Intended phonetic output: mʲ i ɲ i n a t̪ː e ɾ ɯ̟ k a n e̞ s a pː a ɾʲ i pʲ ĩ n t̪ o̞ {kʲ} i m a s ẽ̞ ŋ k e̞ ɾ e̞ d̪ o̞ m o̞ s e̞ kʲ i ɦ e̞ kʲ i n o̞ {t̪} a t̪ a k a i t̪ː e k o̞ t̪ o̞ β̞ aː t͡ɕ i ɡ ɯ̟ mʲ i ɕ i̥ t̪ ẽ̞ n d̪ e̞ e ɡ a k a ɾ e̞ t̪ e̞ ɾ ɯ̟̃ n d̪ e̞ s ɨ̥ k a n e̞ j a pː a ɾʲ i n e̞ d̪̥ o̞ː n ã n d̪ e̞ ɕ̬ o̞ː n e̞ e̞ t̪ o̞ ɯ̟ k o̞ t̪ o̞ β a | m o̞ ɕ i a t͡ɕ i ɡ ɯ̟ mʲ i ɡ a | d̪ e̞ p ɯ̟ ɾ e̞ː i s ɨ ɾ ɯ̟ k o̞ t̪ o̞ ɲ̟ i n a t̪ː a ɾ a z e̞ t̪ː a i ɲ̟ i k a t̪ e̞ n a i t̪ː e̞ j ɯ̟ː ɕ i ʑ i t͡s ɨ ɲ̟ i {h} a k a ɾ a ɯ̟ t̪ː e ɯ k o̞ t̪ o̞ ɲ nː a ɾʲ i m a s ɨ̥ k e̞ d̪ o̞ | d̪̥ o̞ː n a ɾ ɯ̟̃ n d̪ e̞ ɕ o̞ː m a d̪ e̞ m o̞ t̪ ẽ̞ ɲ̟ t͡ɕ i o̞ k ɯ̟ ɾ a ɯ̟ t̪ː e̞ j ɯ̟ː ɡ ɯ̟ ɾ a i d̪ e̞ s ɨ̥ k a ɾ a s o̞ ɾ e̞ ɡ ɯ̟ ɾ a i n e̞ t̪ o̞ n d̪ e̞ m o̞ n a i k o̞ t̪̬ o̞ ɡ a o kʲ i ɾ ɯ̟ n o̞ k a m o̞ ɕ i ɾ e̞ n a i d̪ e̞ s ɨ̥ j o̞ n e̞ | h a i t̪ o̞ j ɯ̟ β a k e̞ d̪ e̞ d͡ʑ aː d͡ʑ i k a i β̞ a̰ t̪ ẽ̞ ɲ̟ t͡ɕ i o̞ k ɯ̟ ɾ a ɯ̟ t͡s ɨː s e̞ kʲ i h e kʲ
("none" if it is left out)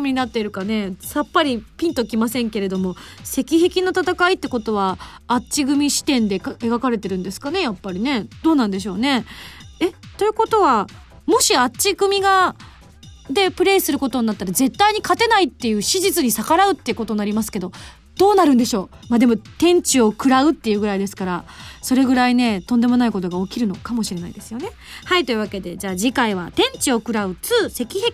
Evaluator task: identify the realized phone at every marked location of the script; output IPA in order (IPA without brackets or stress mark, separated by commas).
kʲ, t̪, s